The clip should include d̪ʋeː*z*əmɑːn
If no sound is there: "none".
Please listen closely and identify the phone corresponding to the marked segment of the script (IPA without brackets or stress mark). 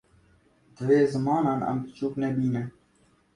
z